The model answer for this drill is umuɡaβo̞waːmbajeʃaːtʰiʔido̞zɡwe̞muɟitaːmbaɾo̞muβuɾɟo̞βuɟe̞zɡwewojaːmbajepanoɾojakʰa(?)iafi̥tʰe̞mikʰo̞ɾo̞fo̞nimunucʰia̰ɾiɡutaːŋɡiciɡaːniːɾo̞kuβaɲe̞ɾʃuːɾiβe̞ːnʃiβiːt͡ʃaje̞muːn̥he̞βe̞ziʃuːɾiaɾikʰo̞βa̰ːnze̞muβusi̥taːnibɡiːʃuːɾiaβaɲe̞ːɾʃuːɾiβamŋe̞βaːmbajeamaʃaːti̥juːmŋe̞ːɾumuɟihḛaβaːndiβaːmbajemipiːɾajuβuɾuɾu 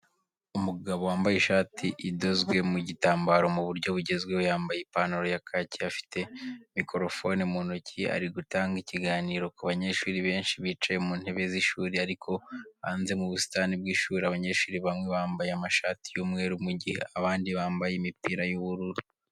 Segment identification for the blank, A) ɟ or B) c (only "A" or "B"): B